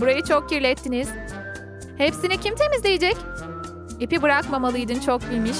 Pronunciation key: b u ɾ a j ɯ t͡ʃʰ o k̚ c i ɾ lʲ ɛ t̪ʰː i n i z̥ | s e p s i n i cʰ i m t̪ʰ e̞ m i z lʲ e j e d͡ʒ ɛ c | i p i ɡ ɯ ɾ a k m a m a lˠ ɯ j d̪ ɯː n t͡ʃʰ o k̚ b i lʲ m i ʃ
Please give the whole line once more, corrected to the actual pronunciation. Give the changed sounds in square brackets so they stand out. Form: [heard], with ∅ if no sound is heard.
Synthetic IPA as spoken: b u ɾ a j ɯ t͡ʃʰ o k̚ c i ɾ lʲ ɛ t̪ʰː i n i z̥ | [h] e p s i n i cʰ i m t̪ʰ e̞ m i z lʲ e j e d͡ʒ ɛ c | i p i [b] ɯ ɾ a k m a m a lˠ ɯ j d̪ [ɯ] n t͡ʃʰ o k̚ b i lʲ m i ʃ